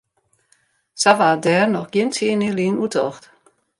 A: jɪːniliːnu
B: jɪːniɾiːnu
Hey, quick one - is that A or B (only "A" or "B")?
A